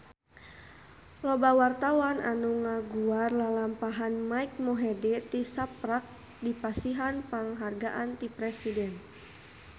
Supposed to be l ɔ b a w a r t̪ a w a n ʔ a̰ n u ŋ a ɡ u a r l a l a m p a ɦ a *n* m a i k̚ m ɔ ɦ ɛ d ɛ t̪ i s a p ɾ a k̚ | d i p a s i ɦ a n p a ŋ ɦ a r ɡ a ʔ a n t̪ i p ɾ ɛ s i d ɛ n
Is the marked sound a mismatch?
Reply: no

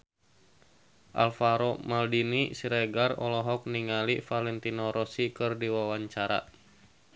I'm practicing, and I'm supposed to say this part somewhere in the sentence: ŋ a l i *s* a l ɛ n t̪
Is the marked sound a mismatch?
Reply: yes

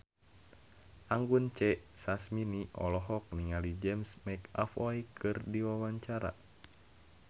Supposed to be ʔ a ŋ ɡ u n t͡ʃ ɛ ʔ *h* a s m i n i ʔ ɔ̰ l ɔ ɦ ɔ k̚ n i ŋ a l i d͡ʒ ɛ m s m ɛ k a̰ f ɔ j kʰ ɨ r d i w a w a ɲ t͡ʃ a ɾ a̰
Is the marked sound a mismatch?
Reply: yes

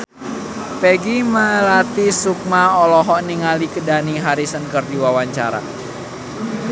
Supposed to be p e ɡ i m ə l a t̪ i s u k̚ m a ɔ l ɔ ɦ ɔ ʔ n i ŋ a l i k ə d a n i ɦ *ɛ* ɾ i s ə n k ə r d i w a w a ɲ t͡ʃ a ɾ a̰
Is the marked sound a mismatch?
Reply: yes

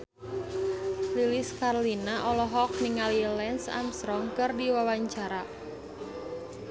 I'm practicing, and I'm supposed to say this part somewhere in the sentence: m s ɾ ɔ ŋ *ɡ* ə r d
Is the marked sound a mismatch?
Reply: yes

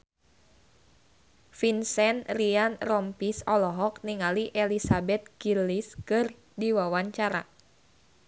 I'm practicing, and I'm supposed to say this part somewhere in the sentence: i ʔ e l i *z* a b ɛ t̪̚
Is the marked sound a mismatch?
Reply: yes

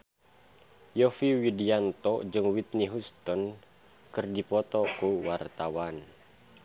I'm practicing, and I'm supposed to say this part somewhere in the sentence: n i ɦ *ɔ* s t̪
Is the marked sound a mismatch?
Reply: yes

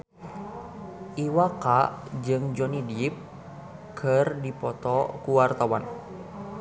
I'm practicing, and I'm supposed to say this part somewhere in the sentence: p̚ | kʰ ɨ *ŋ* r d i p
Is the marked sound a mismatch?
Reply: yes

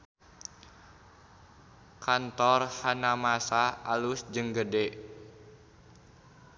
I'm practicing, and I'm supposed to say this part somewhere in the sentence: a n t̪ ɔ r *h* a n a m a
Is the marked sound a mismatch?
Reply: no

